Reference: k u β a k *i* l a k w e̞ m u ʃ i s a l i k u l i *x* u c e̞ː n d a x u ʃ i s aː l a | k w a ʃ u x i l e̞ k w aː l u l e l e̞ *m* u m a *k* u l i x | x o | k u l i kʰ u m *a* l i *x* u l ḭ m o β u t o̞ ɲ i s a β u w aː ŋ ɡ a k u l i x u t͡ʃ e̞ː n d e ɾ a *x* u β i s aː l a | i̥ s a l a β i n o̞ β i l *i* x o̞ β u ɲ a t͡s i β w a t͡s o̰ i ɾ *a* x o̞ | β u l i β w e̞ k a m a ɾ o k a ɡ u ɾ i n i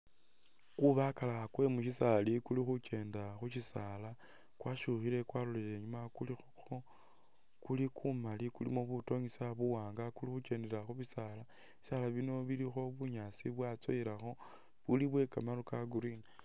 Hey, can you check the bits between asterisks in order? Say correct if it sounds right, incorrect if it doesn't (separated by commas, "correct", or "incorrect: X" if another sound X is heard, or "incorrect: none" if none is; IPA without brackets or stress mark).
incorrect: a, correct, incorrect: ɲ, correct, correct, incorrect: k, correct, correct, correct